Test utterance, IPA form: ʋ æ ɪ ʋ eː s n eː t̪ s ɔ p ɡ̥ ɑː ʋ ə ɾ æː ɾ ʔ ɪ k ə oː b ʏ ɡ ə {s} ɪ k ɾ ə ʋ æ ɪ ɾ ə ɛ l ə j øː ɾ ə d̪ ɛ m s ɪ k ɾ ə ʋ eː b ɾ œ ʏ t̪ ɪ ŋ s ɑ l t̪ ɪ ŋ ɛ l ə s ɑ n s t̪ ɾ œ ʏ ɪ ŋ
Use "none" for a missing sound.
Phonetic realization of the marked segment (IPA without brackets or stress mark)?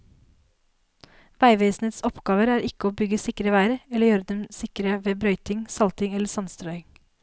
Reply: s